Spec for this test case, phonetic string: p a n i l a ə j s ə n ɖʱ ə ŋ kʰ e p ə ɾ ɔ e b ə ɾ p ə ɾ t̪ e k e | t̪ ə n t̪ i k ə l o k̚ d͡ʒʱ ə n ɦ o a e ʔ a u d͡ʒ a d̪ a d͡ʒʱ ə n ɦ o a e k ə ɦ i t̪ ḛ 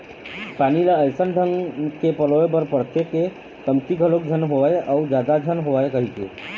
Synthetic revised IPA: p a n i l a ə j s ə n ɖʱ ə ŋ k e p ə l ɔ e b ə ɾ p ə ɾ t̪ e k e | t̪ ə m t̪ i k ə l o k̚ d͡ʒʱ ə n ɦ o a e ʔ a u d͡ʒ a d̪ a d͡ʒʱ ə n ɦ o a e k ə ɦ i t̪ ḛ